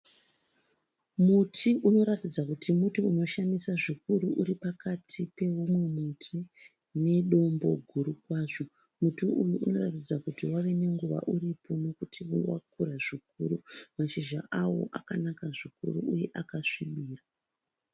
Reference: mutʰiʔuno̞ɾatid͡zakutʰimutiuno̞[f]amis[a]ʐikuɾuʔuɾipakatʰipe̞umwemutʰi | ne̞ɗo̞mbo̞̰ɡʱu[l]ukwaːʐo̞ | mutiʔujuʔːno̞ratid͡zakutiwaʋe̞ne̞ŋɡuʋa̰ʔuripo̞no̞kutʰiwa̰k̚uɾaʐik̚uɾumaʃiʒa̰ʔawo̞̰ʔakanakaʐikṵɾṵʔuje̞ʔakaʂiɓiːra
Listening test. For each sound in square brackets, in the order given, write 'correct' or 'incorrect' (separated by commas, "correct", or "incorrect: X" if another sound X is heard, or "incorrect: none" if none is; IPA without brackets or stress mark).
incorrect: ʃ, correct, incorrect: ɾ